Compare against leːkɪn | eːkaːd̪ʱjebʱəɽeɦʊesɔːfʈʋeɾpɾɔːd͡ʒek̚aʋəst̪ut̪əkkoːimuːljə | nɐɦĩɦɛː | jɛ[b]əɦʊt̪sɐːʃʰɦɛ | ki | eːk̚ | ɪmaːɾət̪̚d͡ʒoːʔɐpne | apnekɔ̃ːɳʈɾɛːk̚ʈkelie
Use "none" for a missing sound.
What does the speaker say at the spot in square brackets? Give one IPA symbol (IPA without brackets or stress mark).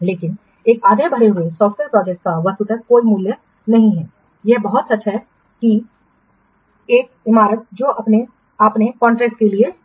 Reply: b